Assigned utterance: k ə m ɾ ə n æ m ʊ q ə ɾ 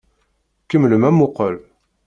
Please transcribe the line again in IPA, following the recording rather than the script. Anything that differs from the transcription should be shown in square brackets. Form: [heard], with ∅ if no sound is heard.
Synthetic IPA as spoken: k ə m [l] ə [m] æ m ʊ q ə [l]